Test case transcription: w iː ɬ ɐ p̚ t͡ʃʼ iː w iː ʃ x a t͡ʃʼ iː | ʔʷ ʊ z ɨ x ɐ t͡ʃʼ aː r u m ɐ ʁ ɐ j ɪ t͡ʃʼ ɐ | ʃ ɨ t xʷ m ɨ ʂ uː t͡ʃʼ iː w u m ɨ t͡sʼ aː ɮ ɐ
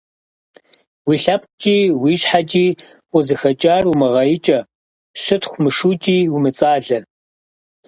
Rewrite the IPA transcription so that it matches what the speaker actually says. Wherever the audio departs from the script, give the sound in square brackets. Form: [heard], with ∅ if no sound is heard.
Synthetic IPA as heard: w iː ɬ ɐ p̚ t͡ʃʼ iː w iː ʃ [ħ] a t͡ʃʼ iː | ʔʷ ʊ z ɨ x ɐ t͡ʃʼ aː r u m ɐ ʁ ɐ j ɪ t͡ʃʼ ɐ | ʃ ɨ t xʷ m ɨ ʂ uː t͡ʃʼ iː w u m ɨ t͡sʼ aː ɮ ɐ